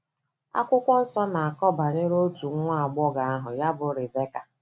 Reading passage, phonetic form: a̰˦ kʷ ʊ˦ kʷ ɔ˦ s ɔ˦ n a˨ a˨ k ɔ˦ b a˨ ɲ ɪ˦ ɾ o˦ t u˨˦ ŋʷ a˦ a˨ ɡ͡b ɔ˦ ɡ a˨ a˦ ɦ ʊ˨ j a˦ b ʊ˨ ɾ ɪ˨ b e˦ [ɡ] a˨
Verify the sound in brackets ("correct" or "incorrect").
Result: incorrect